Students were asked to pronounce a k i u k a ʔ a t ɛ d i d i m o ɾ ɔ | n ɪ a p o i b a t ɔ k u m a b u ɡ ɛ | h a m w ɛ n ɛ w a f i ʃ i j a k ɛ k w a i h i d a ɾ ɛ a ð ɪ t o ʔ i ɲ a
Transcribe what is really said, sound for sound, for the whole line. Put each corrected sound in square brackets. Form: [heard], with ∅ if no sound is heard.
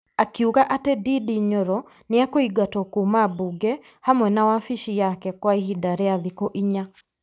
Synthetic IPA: a k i u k a ʔ a t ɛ d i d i [ɲ] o ɾ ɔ | n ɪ a [k] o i [ɡ] a t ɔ k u m a b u ɡ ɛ | h a m w ɛ n [a] w a f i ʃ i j a k ɛ k w a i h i d a ɾ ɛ a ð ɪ [k] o ʔ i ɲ a